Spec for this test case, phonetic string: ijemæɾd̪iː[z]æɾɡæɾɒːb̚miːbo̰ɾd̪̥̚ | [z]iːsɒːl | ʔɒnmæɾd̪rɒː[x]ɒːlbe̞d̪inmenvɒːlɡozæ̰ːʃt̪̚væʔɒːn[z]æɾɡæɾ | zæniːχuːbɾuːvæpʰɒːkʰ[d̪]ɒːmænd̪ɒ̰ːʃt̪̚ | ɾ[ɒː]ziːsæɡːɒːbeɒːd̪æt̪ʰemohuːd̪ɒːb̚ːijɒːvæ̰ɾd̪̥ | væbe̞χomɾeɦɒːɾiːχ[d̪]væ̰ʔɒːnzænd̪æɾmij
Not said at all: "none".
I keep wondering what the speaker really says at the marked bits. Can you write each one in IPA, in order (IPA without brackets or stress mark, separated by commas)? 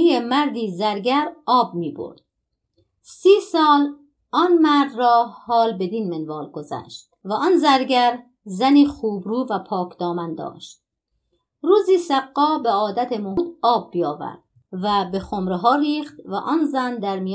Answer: z, s, h, z, d̪, uː, t̪